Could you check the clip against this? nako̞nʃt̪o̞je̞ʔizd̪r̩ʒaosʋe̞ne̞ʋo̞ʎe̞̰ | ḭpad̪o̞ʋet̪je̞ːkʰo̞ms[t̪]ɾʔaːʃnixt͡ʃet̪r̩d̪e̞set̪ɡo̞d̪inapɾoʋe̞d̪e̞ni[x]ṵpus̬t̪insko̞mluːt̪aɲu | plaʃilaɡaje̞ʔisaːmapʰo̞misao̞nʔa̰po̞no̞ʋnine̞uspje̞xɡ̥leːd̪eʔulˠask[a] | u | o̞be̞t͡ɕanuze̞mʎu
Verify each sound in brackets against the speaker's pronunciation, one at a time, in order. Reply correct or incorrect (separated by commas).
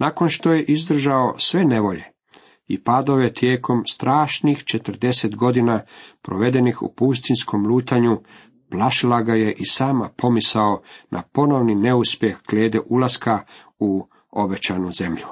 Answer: correct, correct, correct